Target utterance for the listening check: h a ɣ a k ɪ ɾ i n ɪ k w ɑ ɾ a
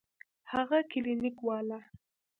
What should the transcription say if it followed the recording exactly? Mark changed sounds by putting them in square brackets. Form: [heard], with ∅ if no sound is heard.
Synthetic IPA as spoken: h a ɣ a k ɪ [l] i n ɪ k w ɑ [l] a